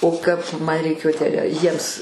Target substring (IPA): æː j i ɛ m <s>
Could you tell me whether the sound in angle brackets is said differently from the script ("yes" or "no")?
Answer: no